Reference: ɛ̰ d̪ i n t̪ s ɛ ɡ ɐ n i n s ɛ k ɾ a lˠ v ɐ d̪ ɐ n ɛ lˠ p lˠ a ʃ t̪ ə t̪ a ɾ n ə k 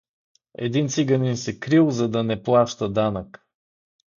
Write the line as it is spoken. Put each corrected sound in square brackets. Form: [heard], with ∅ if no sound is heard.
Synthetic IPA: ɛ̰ d̪ i n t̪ s [i] ɡ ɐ n i n s ɛ k ɾ [i] lˠ [z] ɐ d̪ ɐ n ɛ [∅] p lˠ a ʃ t̪ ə [d̪] a [∅] n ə k